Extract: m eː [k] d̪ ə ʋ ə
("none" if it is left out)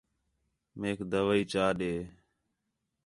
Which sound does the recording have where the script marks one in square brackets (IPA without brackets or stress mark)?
k